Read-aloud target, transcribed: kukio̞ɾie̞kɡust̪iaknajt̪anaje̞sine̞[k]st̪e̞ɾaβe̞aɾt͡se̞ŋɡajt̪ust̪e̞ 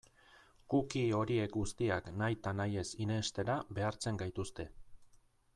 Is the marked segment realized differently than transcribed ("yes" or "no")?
yes